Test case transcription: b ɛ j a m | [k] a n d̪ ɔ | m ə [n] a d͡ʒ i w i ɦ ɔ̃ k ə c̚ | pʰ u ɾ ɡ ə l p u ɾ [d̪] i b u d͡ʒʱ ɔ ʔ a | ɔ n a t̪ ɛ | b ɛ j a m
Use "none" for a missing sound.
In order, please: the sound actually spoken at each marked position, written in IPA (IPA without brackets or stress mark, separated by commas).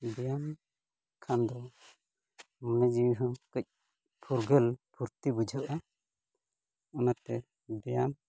kʰ, n, t̪